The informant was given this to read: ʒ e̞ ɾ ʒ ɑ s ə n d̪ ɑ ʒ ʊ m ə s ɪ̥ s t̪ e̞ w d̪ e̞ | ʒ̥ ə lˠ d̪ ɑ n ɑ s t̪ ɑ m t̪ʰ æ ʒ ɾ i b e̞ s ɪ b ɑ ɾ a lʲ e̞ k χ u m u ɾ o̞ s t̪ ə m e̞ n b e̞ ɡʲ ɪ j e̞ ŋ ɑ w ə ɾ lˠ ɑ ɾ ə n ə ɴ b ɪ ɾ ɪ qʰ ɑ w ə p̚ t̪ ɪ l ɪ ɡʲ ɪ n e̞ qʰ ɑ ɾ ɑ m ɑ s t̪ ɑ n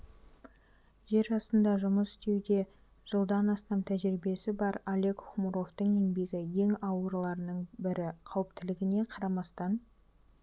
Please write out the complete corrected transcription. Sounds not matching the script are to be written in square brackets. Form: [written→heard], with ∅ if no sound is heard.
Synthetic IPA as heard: ʒ e̞ ɾ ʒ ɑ s ə n d̪ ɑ ʒ ʊ m ə s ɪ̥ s t̪ e̞ w d̪ e̞ | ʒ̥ ə lˠ d̪ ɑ n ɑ s t̪ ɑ m t̪ʰ æ ʒ ɾ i b e̞ s ɪ b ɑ ɾ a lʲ e̞ k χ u m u ɾ o̞ [s→f] t̪ ə [m→ɴ] e̞ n b e̞ ɡʲ ɪ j e̞ ŋ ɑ w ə ɾ lˠ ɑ ɾ ə n ə ɴ b ɪ ɾ ɪ qʰ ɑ w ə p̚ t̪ ɪ l ɪ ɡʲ ɪ n e̞ qʰ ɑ ɾ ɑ m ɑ s t̪ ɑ n